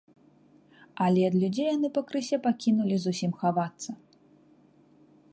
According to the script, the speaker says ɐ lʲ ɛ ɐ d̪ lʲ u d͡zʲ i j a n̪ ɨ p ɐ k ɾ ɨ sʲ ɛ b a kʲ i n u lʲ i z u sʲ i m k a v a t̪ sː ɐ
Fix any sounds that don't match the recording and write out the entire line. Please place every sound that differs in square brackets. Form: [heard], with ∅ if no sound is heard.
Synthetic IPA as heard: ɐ lʲ ɛ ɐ d̪ lʲ u d͡zʲ [e] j a n̪ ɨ p ɐ k ɾ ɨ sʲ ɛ [p] a kʲ i n u lʲ i z u sʲ i m [x] a v a t̪ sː ɐ